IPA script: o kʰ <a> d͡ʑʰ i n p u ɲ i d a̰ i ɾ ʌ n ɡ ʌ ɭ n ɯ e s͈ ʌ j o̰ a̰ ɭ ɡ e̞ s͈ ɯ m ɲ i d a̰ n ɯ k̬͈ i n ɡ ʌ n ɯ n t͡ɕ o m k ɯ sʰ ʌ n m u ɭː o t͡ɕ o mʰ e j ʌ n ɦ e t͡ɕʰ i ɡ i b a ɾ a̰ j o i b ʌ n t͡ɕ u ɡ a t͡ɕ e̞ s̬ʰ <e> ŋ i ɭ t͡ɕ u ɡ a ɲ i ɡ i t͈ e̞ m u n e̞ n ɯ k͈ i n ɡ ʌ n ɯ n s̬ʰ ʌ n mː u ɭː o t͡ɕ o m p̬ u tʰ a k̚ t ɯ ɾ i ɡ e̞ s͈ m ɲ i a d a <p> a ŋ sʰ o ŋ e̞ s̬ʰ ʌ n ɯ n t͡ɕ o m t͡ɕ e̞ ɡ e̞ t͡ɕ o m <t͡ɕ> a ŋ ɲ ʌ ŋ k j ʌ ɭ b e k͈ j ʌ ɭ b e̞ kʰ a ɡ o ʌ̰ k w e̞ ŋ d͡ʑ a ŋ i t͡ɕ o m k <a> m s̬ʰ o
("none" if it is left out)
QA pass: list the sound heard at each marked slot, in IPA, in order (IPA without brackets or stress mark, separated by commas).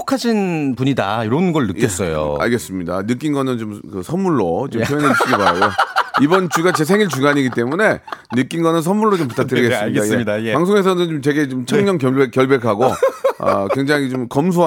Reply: a, e, p, t͡ɕʰ, ʌ